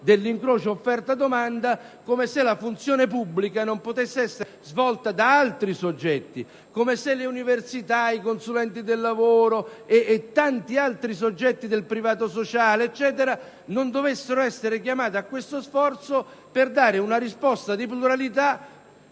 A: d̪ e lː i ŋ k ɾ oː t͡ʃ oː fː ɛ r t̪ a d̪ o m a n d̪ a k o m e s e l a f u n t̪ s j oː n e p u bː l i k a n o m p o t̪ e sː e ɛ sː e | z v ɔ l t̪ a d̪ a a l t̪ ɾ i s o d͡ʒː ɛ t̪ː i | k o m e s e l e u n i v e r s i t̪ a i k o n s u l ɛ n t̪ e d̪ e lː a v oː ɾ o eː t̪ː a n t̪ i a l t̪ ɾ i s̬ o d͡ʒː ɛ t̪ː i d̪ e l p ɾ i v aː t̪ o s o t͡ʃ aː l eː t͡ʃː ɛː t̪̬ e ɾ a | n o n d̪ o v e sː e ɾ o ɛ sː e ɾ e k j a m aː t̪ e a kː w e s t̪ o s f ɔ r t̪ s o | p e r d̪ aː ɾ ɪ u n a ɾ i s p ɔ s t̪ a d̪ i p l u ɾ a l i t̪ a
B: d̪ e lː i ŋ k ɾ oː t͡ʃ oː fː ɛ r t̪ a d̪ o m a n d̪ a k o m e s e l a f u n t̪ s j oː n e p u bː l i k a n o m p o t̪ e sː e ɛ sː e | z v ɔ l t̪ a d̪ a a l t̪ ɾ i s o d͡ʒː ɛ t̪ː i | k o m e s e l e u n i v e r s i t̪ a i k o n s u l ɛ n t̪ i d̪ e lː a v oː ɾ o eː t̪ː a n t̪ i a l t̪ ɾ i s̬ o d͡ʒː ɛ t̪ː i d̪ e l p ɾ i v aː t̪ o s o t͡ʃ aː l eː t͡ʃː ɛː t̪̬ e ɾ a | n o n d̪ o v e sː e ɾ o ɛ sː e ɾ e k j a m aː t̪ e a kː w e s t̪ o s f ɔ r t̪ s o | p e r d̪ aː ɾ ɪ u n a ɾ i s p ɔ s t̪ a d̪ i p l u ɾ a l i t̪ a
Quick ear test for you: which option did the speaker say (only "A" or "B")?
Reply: B